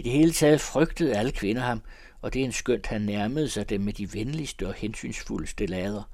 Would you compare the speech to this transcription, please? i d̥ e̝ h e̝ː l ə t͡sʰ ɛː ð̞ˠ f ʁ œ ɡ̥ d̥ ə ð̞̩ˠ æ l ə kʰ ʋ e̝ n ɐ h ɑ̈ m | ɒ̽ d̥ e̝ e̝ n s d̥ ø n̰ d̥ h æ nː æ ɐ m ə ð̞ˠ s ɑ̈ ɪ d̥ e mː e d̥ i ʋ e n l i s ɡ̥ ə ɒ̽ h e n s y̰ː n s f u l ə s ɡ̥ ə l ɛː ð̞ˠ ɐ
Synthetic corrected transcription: i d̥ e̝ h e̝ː l ə t͡sʰ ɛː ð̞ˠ f ʁ œ ɡ̥ d̥ ə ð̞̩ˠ æ l ə kʰ ʋ e̝ n ɐ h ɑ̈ m | ɒ̽ d̥ e̝ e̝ n s ɡ̥ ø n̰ d̥ h æ nː æ ɐ m ə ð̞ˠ s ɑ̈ ɪ d̥ e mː e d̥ i ʋ e n l i s d̥ ə ɒ̽ h e n s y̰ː n s f u l ə s d̥ ə l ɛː ð̞ˠ ɐ